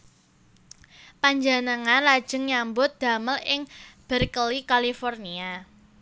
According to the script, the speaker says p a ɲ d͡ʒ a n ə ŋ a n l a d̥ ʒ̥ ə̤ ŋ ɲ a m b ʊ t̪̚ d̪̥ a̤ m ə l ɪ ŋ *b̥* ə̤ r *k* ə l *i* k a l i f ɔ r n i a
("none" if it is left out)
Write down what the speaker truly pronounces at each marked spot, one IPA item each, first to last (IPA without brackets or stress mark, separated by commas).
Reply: b̥, k, i